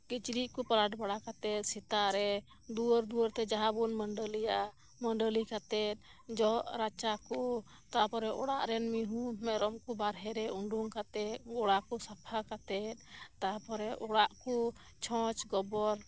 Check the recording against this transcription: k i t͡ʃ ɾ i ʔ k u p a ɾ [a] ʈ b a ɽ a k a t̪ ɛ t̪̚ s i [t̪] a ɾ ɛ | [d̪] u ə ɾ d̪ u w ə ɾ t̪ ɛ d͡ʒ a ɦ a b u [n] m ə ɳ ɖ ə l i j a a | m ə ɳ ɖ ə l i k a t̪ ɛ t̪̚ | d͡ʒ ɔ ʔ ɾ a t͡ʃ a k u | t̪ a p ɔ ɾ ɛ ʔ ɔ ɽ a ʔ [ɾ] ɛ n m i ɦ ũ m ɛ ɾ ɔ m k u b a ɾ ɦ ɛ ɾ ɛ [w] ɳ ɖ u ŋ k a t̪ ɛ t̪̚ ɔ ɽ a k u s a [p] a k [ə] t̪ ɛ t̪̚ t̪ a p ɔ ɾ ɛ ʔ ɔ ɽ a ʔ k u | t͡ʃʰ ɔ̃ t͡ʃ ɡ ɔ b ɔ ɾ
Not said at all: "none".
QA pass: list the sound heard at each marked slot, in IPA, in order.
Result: a, t̪, d̪, n, ɾ, u, pʰ, a

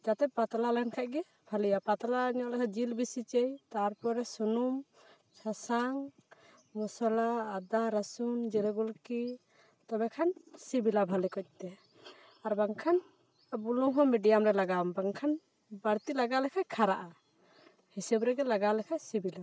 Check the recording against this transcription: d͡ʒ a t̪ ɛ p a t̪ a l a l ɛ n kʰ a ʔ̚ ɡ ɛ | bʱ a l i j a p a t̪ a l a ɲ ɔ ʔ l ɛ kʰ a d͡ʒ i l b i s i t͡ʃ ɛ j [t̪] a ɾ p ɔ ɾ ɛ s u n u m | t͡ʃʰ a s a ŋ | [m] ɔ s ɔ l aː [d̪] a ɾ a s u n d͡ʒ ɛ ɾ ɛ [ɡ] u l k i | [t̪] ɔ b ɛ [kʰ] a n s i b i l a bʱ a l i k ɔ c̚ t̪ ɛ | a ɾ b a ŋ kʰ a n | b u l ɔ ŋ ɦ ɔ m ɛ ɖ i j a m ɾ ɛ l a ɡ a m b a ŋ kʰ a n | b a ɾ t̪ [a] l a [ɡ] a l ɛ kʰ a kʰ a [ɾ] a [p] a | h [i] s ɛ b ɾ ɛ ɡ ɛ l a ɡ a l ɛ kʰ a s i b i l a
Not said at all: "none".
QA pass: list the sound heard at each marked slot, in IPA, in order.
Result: t̪, m, d̪, ɡ, t̪, kʰ, i, ɡ, ɾ, ʔ, i

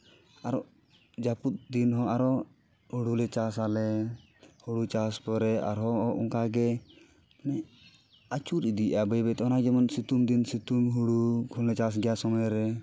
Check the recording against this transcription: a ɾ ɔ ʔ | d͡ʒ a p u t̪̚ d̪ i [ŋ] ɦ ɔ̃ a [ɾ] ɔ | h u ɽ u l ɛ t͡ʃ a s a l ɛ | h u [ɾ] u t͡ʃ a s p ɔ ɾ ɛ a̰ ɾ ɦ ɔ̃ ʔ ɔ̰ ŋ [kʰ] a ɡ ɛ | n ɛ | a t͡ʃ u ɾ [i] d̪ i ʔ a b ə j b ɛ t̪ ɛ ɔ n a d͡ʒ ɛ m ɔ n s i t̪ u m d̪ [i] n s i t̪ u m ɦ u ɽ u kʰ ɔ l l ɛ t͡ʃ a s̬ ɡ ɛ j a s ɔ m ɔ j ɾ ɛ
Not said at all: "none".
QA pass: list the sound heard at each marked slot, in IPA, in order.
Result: n, ɾ, ɽ, k, i, i

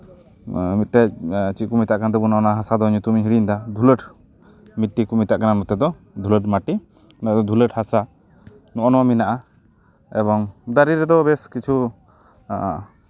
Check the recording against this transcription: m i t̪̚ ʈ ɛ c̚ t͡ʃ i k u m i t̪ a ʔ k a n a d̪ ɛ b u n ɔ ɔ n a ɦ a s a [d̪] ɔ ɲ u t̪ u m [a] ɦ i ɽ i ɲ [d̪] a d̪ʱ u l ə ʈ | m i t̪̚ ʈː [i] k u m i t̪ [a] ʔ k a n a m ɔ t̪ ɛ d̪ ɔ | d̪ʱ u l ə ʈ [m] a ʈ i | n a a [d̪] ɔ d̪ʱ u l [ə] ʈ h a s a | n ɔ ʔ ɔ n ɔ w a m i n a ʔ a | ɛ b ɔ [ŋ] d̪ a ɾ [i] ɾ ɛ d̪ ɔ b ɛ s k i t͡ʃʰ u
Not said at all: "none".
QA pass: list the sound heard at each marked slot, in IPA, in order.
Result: d̪, i, d̪, i, a, m, d̪, ə, ŋ, i

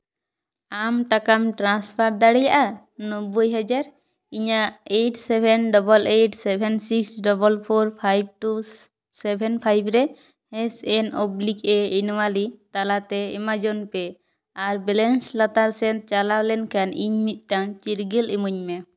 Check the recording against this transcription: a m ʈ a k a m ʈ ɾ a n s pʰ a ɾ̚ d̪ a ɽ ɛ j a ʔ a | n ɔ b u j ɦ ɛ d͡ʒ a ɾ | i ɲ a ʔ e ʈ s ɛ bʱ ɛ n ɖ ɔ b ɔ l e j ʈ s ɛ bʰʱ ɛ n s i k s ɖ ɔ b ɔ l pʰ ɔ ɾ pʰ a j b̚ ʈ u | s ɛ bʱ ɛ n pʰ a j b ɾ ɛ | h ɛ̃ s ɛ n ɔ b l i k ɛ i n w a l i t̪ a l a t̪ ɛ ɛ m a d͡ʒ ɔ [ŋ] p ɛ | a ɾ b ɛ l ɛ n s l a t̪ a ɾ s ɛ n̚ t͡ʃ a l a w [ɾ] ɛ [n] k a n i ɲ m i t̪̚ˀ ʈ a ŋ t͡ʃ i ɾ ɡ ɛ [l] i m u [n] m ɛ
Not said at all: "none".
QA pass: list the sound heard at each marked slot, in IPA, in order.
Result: n, l, n, l, ɲ

